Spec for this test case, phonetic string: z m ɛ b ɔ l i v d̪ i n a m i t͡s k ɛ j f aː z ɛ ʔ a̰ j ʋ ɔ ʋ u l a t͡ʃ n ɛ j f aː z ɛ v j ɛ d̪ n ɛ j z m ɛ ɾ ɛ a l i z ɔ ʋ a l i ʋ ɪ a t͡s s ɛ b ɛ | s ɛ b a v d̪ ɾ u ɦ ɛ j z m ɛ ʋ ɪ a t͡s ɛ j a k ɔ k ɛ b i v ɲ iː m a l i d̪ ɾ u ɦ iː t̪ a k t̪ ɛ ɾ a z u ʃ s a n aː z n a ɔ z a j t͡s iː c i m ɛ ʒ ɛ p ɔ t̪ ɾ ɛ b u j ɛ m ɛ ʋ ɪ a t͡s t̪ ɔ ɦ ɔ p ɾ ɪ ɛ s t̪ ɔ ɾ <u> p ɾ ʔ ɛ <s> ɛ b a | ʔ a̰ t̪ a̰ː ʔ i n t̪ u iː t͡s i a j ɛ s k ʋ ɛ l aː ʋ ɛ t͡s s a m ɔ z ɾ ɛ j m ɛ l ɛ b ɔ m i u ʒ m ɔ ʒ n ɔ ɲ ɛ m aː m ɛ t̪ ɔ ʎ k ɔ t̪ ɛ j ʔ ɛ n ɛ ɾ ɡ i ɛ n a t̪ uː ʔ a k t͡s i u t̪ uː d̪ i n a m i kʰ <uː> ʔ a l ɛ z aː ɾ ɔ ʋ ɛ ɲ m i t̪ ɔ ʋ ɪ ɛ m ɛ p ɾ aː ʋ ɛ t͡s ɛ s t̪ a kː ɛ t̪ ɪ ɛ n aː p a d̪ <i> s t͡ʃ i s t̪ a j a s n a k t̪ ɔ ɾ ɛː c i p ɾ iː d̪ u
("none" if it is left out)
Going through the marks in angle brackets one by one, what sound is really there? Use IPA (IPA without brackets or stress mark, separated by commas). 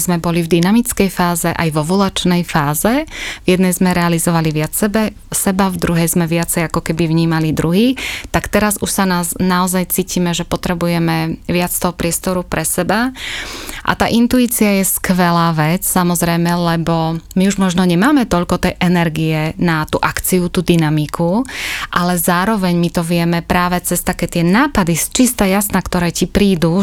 u, s, u, i